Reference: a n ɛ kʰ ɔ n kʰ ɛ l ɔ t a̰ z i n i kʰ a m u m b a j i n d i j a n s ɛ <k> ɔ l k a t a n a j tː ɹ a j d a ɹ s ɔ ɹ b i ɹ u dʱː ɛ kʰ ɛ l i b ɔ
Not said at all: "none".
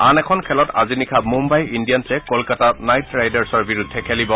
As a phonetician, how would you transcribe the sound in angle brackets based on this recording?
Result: k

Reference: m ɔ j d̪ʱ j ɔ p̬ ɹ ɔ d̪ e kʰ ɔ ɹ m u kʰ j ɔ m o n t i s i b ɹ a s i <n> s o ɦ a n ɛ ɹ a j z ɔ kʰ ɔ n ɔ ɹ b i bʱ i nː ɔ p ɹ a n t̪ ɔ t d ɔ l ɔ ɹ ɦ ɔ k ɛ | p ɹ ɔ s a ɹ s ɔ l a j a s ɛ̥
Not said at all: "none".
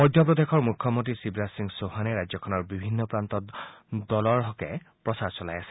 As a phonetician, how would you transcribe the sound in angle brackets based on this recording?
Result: ŋ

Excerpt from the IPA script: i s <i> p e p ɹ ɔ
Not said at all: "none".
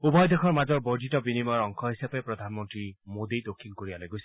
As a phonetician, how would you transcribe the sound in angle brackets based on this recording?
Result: a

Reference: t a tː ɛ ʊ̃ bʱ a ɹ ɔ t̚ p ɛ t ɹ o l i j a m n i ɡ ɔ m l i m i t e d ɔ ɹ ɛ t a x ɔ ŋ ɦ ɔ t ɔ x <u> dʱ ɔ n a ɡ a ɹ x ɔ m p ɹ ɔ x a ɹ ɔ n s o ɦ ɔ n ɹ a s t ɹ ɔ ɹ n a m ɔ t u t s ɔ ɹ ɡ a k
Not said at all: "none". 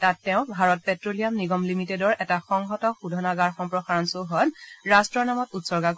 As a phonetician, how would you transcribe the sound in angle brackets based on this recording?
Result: u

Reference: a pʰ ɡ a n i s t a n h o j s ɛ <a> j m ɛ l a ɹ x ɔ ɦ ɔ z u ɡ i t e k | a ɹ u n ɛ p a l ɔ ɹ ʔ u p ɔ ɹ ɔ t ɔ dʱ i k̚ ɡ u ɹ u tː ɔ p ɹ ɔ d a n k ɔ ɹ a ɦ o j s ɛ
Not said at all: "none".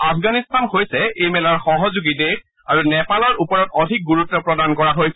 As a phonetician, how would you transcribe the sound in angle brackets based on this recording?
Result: e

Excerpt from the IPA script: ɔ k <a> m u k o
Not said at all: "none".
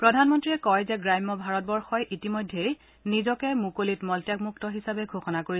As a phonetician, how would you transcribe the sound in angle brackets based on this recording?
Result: ɛ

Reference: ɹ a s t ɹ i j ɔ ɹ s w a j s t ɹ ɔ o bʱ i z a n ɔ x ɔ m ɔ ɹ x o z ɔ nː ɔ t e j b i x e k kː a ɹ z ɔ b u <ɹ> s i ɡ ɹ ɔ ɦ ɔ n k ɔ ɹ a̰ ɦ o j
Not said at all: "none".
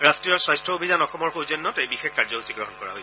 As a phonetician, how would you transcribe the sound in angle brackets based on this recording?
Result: none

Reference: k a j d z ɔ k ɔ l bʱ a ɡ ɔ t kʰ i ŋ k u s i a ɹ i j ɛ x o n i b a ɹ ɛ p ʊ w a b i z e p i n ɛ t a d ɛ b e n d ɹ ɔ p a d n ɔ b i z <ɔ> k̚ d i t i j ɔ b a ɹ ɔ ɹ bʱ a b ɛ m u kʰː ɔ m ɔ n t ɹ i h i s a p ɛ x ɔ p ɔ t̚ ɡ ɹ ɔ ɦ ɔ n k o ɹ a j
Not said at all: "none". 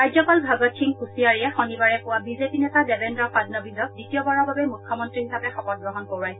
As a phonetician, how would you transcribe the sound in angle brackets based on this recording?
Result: ɔ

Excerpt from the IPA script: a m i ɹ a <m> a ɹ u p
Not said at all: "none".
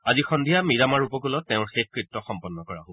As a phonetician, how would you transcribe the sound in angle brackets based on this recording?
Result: m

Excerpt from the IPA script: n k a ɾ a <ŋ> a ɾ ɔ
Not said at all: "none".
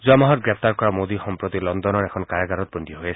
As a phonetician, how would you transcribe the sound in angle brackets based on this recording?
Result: ɡ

